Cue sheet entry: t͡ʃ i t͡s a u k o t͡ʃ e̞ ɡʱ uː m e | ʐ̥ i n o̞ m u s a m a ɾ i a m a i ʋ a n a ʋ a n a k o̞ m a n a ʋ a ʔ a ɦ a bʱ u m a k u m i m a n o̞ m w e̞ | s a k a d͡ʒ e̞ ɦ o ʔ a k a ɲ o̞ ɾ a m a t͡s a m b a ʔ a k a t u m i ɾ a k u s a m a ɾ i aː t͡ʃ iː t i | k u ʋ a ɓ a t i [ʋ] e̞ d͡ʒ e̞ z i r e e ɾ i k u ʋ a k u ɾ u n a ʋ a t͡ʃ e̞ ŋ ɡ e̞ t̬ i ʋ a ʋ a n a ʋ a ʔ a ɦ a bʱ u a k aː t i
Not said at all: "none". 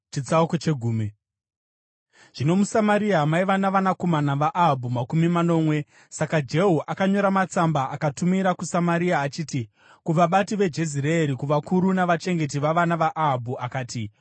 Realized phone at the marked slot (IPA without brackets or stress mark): ʋ